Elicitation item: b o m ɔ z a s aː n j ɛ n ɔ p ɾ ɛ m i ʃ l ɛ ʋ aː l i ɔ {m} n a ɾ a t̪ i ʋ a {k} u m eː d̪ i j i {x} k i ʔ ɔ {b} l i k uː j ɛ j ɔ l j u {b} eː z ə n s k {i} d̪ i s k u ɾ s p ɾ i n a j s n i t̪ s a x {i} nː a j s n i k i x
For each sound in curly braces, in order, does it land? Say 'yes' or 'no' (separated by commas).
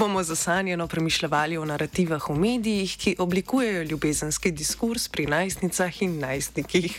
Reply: no, no, yes, yes, yes, yes, yes